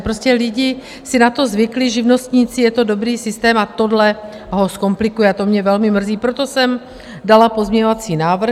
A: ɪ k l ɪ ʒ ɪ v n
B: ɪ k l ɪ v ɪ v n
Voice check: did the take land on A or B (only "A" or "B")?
A